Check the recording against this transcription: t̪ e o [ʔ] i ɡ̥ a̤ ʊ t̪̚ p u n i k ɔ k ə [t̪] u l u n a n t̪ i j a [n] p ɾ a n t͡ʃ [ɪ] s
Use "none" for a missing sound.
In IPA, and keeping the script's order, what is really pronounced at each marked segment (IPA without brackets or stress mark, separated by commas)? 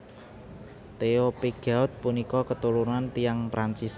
p, t̪, ŋ, i